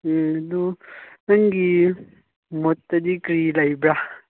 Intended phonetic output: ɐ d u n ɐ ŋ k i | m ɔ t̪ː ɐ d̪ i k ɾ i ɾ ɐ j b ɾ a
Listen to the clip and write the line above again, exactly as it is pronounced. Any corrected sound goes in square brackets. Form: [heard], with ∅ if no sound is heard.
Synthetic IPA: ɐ d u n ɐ ŋ [ɡ] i | m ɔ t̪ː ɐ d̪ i k ɾ i [l] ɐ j b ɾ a

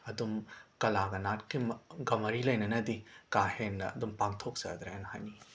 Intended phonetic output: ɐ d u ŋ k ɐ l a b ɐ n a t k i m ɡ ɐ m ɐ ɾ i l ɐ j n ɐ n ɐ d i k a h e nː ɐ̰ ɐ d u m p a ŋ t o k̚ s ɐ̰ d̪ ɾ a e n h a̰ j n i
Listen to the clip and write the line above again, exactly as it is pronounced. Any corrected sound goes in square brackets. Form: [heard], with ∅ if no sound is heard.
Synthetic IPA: ɐ d u [m] k ɐ l a [ɡ] ɐ n a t k i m ɡ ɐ m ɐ ɾ i l ɐ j n ɐ n ɐ d i k a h e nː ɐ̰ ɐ d u m p a ŋ [tʰ] o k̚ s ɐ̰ d̪ ɾ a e n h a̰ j n i

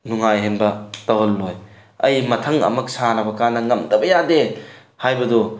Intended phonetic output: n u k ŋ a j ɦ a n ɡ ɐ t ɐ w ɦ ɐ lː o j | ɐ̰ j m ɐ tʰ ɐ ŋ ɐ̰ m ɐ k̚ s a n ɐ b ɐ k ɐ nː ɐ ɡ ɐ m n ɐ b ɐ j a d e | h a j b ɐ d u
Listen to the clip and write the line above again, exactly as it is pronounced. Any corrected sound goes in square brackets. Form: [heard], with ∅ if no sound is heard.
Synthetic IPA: n u [∅] ŋ a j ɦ [e] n [b] ɐ t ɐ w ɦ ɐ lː o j | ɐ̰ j m ɐ tʰ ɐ ŋ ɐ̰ m ɐ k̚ s a n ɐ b ɐ k [a] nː ɐ [ŋ] ɐ m [d] ɐ b ɐ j a d e | h a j b ɐ d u

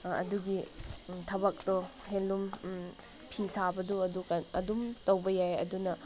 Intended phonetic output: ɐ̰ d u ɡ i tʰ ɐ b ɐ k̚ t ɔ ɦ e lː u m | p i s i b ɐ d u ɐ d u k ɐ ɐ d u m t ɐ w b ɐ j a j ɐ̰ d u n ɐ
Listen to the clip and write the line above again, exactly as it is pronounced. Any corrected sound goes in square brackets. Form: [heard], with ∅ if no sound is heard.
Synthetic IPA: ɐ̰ d u ɡ i tʰ ɐ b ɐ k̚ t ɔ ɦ e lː u m | [pʰ] i s [a] b ɐ d u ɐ d u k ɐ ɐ d u m t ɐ w b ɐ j a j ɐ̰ d u n ɐ

